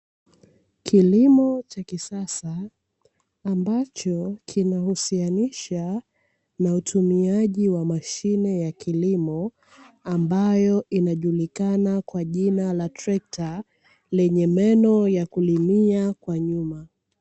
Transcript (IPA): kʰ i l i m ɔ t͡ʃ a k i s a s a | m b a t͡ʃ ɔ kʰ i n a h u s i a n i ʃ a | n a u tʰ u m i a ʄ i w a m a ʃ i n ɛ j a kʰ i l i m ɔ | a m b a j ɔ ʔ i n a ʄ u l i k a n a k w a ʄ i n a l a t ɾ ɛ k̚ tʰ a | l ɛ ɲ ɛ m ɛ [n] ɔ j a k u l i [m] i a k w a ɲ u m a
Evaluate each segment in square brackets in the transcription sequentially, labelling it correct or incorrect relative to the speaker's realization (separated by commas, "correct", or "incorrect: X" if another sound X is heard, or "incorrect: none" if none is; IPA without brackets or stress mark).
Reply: correct, correct